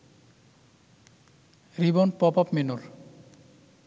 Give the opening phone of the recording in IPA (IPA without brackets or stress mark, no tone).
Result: ɾ